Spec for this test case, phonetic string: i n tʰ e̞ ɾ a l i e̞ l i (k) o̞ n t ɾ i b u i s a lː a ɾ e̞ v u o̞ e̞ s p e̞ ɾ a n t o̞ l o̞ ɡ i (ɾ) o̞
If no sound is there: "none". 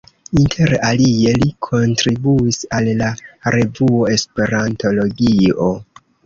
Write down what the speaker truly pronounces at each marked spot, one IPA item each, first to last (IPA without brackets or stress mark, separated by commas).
kʰ, none